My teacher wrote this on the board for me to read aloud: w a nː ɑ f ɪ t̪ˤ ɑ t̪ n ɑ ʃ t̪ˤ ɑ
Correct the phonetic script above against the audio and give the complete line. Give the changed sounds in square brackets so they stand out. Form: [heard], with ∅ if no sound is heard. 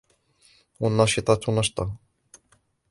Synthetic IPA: w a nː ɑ [ʃ] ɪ t̪ˤ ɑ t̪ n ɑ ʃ t̪ˤ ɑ